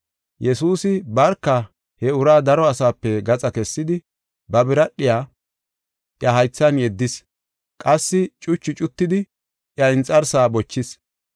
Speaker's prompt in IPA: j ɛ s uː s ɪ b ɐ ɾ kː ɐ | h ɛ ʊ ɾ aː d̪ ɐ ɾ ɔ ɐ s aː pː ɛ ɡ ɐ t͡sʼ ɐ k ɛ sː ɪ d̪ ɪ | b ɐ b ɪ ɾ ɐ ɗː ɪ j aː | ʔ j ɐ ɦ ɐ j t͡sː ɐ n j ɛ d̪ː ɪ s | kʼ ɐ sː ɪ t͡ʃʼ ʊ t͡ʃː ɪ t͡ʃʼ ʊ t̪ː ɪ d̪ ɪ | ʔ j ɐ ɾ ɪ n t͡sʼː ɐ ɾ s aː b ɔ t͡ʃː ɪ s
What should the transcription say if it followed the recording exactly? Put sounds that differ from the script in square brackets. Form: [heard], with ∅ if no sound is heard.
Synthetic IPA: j ɛ s uː s ɪ b ɐ ɾ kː ɐ | h ɛ ʊ ɾ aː d̪ ɐ ɾ ɔ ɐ s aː pː ɛ ɡ ɐ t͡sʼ ɐ k ɛ sː ɪ d̪ ɪ | b ɐ b ɪ ɾ ɐ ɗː ɪ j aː | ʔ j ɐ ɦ ɐ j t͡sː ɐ n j ɛ d̪ː ɪ s | kʼ ɐ sː ɪ t͡ʃʼ ʊ t͡ʃː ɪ t͡ʃʼ ʊ t̪ː ɪ d̪ ɪ | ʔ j ɐ [∅] ɪ n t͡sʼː ɐ ɾ s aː b ɔ t͡ʃː ɪ s

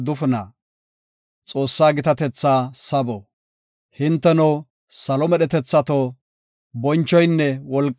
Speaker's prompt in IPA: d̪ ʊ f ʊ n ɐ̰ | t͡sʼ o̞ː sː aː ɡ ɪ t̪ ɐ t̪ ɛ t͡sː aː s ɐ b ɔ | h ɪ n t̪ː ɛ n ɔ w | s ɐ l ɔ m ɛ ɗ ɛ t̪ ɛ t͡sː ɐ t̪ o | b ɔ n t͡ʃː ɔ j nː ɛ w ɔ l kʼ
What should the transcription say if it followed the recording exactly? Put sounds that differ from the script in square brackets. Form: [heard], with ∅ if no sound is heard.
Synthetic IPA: d̪ ʊ f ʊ n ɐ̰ | t͡sʼ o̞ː sː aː ɡ ɪ t̪ ɐ t̪ ɛ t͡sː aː s ɐ b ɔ | h ɪ n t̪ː ɛ n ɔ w | s ɐ l ɔ m ɛ ɗ ɛ t̪ ɛ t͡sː ɐ t̪ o | b ɔ n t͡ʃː ɔ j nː ɛ w ɔ l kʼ

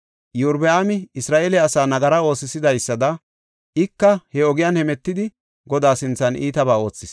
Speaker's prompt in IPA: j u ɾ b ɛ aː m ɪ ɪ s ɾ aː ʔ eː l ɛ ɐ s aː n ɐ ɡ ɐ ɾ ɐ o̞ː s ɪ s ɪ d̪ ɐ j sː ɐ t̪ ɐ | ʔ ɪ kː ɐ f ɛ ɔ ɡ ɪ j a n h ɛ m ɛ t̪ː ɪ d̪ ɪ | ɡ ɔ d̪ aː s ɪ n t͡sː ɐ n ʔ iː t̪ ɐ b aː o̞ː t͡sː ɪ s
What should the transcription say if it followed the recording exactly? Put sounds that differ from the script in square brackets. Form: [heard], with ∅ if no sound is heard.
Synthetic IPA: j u ɾ b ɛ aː m ɪ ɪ s ɾ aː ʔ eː l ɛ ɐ s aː n ɐ ɡ ɐ ɾ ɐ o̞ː s ɪ s ɪ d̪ ɐ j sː ɐ [d̪] ɐ | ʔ ɪ kː ɐ [h] ɛ ɔ ɡ ɪ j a n h ɛ m ɛ t̪ː ɪ d̪ ɪ | ɡ ɔ d̪ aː s ɪ n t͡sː ɐ n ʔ iː t̪ ɐ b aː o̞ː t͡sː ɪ s

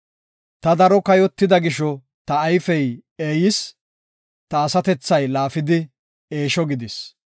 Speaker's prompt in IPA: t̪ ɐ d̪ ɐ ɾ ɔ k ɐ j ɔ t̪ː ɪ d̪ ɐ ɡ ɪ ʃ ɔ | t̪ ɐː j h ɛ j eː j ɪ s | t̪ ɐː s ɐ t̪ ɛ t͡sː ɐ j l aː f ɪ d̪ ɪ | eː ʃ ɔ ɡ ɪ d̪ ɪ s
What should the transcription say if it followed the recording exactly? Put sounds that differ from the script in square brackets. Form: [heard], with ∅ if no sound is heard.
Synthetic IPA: t̪ ɐ d̪ ɐ ɾ ɔ k ɐ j ɔ t̪ː ɪ d̪ ɐ ɡ ɪ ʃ ɔ | t̪ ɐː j [f] ɛ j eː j ɪ s | t̪ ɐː s ɐ t̪ ɛ t͡sː ɐ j l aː f ɪ d̪ ɪ | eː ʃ ɔ ɡ ɪ d̪ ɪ s

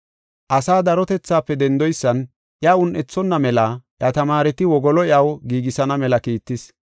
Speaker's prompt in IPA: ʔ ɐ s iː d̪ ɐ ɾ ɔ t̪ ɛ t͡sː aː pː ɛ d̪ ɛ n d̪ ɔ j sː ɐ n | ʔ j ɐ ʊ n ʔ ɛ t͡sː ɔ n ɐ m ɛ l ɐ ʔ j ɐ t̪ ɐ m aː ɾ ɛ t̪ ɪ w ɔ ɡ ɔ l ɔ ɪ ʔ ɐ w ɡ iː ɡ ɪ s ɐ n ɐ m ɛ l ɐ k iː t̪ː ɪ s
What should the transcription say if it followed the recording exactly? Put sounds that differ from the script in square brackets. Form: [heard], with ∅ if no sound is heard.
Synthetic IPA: ʔ ɐ s [aː] d̪ ɐ ɾ ɔ t̪ ɛ t͡sː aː pː ɛ d̪ ɛ n d̪ ɔ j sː ɐ n | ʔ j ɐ ʊ n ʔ ɛ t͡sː ɔ [nː] ɐ m ɛ l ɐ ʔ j ɐ t̪ ɐ m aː ɾ ɛ t̪ ɪ w ɔ ɡ ɔ l ɔ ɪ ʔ ɐ w ɡ iː ɡ ɪ s ɐ n ɐ m ɛ l ɐ k iː t̪ː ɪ s

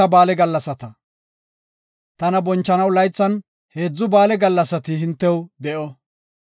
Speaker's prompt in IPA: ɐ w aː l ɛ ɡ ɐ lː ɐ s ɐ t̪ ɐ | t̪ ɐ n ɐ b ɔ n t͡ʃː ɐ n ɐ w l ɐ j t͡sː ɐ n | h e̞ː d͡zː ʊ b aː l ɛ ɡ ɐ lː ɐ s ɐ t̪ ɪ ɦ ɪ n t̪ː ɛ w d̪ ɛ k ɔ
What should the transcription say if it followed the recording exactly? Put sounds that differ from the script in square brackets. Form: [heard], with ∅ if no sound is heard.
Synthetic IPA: ɐ [b] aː l ɛ ɡ ɐ lː ɐ s ɐ t̪ ɐ | t̪ ɐ n ɐ b ɔ n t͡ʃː ɐ n ɐ w l ɐ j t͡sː ɐ n | h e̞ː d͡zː ʊ b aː l ɛ ɡ ɐ lː ɐ s ɐ t̪ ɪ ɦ ɪ n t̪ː ɛ w d̪ ɛ [ʔ] ɔ

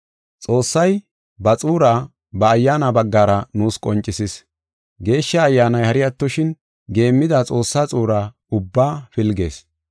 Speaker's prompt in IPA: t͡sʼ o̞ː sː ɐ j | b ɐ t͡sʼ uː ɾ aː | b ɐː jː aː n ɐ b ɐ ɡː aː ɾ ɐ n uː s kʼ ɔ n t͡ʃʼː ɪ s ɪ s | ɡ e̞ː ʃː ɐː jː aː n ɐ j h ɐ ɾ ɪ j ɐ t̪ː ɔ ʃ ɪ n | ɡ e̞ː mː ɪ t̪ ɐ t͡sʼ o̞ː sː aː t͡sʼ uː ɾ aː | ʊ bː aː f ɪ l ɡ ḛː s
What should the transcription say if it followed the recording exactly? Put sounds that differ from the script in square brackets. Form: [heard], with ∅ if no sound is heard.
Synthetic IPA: t͡sʼ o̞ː sː ɐ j | b ɐ t͡sʼ uː ɾ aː | b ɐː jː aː n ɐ b ɐ ɡː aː ɾ ɐ n uː s kʼ ɔ n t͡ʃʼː ɪ s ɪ s | ɡ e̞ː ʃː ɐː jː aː n ɐ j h ɐ ɾ ɪ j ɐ t̪ː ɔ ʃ ɪ n | ɡ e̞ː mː ɪ [d̪] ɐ t͡sʼ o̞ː sː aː t͡sʼ uː ɾ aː | ʊ bː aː f ɪ l ɡ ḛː s

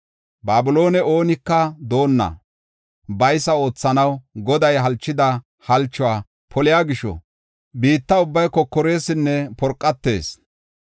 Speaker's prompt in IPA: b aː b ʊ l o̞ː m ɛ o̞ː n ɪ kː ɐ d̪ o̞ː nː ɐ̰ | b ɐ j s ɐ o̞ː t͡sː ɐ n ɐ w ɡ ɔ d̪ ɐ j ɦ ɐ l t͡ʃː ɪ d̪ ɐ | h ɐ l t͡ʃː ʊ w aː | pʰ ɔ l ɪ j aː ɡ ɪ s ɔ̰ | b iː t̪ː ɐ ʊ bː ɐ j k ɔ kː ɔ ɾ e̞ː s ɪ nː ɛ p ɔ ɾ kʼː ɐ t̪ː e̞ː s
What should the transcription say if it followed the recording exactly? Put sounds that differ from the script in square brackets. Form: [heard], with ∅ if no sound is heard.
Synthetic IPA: b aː b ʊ l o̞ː [n] ɛ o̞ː n ɪ kː ɐ d̪ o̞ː nː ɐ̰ | b ɐ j s ɐ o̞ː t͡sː ɐ n ɐ w ɡ ɔ d̪ ɐ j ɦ ɐ l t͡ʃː ɪ d̪ ɐ | h ɐ l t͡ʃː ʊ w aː | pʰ ɔ l ɪ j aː ɡ ɪ [ʃ] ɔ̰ | b iː t̪ː ɐ ʊ bː ɐ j k ɔ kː ɔ ɾ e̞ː s ɪ nː ɛ p ɔ ɾ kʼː ɐ t̪ː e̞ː s

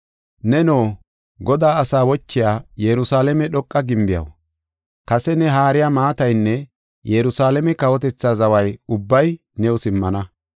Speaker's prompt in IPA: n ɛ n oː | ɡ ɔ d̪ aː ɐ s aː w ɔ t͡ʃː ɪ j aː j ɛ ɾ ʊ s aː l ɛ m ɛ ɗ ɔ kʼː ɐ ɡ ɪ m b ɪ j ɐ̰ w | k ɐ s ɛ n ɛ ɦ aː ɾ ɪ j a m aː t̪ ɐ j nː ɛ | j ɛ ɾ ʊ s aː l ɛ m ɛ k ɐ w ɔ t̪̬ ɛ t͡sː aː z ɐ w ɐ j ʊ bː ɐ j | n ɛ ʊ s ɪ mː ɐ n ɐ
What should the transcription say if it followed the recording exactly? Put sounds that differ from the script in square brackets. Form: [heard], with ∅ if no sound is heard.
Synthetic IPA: n ɛ n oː | ɡ ɔ d̪ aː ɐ s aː w ɔ t͡ʃː ɪ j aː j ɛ ɾ ʊ s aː l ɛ m ɛ ɗ ɔ kʼː ɐ ɡ ɪ m b ɪ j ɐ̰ w | k ɐ s ɛ n ɛ ɦ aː ɾ ɪ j a m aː t̪ ɐ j nː ɛ | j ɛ ɾ ʊ s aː l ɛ m ɛ k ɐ w ɔ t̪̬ ɛ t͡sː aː z ɐ w ɐ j ʊ bː ɐ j | n ɛ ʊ s ɪ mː ɐ n ɐ

